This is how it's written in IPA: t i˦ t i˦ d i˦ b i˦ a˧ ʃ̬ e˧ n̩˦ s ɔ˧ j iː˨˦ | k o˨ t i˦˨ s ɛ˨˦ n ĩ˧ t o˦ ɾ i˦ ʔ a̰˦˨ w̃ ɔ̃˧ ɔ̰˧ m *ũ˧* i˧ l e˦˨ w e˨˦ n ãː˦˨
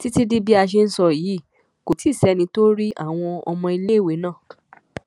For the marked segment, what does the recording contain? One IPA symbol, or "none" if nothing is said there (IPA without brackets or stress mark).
ɔ̃˧